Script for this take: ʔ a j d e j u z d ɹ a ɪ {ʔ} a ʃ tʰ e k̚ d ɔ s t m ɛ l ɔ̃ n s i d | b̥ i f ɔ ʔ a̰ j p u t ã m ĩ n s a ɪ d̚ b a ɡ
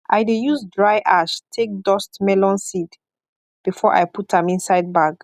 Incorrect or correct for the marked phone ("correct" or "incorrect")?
correct